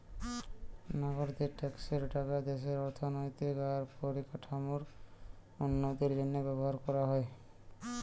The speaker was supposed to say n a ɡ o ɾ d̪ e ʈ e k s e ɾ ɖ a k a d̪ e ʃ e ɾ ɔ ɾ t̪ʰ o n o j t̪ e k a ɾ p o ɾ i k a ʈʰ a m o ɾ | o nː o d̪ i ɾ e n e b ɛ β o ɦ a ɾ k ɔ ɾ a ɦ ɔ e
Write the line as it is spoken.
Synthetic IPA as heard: n a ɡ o ɾ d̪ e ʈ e k s e ɾ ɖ a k a d̪ e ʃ e ɾ ɔ ɾ t̪ʰ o n o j t̪ i k a ɾ p o ɾ i k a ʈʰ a m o ɾ | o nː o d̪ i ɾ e n e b ɛ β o ɦ a ɾ k ɔ ɾ a ɦ ɔ e